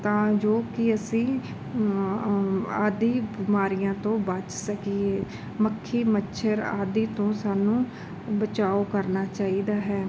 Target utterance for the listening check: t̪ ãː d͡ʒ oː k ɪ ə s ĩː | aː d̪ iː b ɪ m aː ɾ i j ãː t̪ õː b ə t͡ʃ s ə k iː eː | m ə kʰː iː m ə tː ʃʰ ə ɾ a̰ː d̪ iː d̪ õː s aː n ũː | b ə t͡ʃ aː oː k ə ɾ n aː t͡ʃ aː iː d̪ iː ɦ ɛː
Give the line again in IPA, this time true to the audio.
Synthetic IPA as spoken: t̪ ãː d͡ʒ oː k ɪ ə s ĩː | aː d̪ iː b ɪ m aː ɾ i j ãː t̪ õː b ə t͡ʃ s ə k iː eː | m ə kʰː iː m ə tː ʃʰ ə ɾ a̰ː d̪ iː t̪ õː s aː n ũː | b ə t͡ʃ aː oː k ə ɾ n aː t͡ʃ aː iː d̪ aː ɦ ɛː

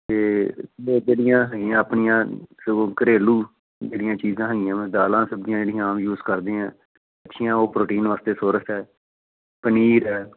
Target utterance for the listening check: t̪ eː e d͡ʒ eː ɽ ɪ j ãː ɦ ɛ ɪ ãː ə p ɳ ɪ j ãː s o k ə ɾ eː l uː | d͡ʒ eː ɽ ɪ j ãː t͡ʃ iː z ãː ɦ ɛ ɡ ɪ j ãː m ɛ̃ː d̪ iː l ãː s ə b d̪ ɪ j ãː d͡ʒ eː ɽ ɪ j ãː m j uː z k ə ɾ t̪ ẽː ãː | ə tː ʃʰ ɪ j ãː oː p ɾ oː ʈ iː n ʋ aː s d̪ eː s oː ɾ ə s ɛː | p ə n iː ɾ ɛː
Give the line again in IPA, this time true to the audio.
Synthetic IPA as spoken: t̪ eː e d͡ʒ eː ɽ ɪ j ãː ɦ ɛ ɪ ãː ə p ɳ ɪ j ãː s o k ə ɾ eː l uː | d͡ʒ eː ɽ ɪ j ãː t͡ʃ iː z ãː ɦ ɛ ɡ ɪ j ãː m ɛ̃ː d̪ aː l ãː s ə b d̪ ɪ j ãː d͡ʒ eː ɽ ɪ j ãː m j uː z k ə ɾ d̪ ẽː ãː | ə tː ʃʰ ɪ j ãː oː p ɾ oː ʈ iː n ʋ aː s t̪ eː s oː ɾ ə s ɛː | p ə n iː ɾ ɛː

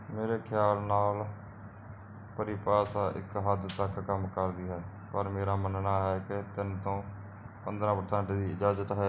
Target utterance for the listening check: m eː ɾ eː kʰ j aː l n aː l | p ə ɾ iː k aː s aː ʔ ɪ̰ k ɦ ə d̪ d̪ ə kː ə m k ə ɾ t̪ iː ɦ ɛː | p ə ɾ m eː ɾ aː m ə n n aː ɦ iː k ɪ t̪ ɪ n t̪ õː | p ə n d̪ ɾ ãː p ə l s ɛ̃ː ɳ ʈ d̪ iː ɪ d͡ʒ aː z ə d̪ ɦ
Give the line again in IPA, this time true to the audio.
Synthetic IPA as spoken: m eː ɾ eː kʰ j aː l n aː l | p ə ɾ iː p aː s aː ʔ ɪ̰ k ɦ ə d̪ t̪ ə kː ə m k ə ɾ d̪ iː ɦ ɛː | p ə ɾ m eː ɾ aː m ə n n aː ɦ ɛː k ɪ t̪ ɪ n t̪ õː | p ə n d̪ ɾ ãː p ə ɾ s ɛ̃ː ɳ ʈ d̪ iː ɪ d͡ʒ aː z ə t̪ ɦ

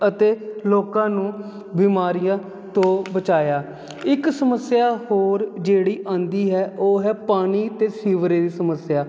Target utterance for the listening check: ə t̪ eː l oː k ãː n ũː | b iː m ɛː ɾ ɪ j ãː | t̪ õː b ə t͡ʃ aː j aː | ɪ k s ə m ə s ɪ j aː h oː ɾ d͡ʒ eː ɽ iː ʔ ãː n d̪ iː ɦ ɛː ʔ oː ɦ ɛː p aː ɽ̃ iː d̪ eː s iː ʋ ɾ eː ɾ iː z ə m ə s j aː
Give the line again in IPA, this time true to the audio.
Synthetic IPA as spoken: ə t̪ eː l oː k ãː n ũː | b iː m aː ɾ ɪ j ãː | t̪ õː b ə t͡ʃ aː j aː | ɪ k s ə m ə s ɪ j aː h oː ɾ d͡ʒ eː ɽ iː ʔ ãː n d̪ iː ɦ ɛː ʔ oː ɦ ɛː p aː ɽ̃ iː t̪ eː s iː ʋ ɾ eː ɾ iː s ə m ə s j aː

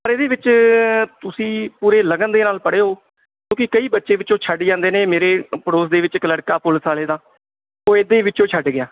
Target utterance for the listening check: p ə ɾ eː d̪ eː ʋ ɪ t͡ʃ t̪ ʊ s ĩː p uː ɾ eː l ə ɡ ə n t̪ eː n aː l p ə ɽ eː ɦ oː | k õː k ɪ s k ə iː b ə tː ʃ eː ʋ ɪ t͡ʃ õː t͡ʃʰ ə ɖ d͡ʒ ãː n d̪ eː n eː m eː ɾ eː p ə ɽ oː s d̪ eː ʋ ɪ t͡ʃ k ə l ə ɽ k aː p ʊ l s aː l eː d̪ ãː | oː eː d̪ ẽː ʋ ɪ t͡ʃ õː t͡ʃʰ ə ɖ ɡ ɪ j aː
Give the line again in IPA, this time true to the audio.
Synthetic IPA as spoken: p ə ɾ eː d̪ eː ʋ ɪ t͡ʃ t̪ ʊ s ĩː p uː ɾ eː l ə ɡ ə n d̪ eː n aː l p ə ɽ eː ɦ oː | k õː k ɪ k ə iː b ə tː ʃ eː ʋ ɪ t͡ʃ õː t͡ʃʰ ə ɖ d͡ʒ ãː n d̪ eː n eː m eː ɾ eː p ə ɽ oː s d̪ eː ʋ ɪ t͡ʃ k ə l ə ɽ k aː p ʊ l s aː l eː d̪ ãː | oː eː d̪ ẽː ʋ ɪ t͡ʃ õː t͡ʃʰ ə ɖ ɡ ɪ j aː

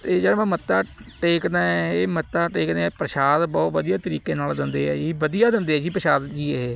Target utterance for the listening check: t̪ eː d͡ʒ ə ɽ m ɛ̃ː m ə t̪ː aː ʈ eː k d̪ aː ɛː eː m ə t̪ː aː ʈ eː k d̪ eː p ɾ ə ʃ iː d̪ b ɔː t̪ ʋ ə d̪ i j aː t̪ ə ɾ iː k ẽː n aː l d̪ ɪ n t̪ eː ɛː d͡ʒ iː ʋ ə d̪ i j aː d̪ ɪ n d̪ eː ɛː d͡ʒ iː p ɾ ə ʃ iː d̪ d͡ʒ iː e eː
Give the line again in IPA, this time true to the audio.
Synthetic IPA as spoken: t̪ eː d͡ʒ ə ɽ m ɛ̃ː m ə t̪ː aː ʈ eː k d̪ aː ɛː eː m ə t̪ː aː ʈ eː k d̪ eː p ɾ ə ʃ aː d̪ b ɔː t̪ ʋ ə d̪ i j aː t̪ ə ɾ iː k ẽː n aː l d̪ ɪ n d̪ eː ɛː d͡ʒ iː ʋ ə d̪ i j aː d̪ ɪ n d̪ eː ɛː d͡ʒ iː p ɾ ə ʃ aː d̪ d͡ʒ iː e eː

